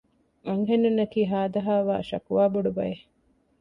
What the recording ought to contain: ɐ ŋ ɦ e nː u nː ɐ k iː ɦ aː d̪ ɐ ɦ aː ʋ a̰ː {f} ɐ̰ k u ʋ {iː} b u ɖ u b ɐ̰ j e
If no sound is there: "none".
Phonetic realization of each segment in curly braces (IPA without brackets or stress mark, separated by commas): ʃ, aː